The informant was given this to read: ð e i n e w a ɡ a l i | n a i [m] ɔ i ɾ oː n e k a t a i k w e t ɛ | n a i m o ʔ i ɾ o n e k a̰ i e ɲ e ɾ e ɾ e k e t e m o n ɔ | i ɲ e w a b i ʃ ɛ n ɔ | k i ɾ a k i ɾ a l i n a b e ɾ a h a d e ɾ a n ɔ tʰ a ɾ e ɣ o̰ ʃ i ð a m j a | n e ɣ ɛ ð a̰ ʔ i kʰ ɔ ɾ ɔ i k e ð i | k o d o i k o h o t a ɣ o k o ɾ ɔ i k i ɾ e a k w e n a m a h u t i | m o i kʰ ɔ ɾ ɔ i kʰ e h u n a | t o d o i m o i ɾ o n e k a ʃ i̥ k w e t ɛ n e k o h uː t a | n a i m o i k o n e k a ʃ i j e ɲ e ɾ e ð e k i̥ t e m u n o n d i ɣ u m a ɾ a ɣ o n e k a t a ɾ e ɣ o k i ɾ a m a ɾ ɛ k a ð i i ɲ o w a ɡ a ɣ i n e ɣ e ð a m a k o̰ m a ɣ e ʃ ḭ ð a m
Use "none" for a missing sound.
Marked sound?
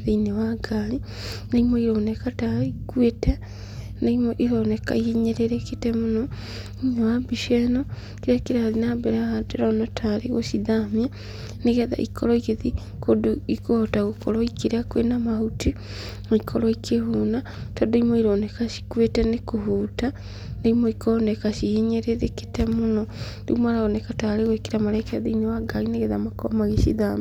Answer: m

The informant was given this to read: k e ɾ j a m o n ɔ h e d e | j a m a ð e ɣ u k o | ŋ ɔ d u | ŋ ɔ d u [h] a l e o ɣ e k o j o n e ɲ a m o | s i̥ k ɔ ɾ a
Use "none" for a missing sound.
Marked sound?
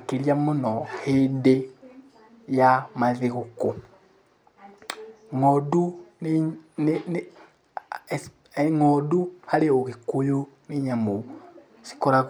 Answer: h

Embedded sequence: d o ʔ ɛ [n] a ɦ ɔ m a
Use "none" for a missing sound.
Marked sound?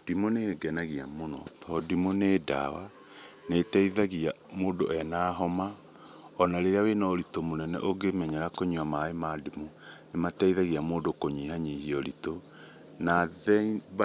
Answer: n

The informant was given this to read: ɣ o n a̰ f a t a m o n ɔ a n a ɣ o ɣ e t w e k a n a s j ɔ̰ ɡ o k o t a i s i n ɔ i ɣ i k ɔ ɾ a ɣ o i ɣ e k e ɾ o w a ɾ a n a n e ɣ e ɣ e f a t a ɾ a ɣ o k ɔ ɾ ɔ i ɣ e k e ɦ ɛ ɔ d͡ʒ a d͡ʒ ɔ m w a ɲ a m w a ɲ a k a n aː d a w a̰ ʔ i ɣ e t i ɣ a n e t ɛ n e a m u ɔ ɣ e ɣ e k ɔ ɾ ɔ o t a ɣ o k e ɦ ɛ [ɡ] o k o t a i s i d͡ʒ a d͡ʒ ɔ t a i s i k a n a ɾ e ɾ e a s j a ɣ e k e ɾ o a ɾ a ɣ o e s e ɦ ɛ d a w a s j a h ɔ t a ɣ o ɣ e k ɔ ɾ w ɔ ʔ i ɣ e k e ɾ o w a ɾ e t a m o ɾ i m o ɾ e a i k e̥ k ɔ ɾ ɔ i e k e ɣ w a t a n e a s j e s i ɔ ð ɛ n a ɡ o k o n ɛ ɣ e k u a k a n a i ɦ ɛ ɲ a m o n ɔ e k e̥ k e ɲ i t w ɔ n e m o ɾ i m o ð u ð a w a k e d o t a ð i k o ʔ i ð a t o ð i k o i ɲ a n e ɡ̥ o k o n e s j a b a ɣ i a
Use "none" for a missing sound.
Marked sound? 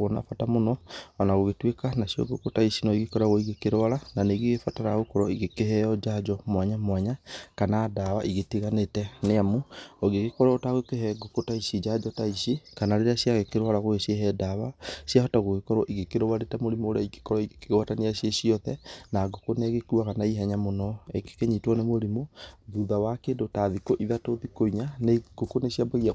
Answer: ɡ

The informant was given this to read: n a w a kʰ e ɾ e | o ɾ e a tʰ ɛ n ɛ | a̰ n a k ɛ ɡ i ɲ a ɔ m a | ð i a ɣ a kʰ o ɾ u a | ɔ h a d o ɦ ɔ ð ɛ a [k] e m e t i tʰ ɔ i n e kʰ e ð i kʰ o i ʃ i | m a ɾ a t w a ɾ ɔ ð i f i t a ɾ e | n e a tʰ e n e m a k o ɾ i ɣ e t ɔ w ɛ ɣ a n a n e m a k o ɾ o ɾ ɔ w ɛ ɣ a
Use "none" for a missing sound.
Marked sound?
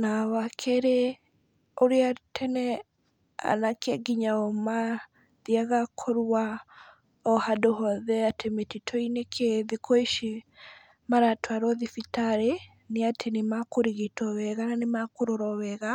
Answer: t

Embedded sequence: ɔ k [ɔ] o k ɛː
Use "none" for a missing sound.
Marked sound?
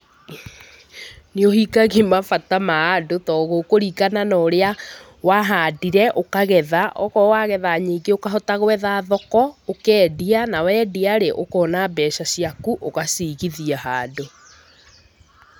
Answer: ɔ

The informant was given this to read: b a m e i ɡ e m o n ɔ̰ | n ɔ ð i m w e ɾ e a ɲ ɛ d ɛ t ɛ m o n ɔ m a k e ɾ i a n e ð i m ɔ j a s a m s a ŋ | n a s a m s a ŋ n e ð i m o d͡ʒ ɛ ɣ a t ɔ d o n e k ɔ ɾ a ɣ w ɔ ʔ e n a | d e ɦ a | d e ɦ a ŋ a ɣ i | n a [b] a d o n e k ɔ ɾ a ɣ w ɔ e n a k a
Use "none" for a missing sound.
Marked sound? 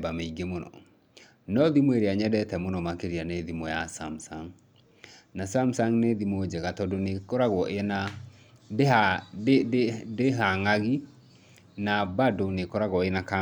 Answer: b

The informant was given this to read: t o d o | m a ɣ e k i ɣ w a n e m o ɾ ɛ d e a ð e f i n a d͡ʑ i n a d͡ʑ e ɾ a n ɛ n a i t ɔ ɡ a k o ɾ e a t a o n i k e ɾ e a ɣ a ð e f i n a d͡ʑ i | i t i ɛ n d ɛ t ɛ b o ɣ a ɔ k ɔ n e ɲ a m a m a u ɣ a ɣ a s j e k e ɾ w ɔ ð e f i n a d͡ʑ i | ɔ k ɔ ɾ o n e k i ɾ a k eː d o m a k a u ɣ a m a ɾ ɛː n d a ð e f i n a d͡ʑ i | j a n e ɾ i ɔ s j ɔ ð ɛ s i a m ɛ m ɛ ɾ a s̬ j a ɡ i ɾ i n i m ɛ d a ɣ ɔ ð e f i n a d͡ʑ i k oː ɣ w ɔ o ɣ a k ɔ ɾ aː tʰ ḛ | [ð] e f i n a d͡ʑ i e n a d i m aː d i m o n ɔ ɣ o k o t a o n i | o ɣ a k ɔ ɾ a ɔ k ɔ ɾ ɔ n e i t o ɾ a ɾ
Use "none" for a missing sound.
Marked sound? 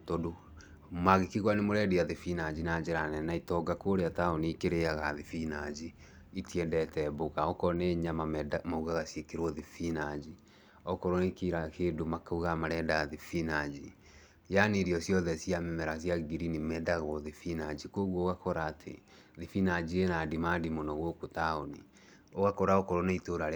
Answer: ð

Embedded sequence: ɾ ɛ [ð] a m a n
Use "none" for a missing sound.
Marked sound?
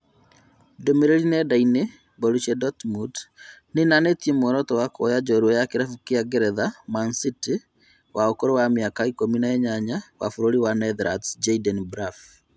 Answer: ð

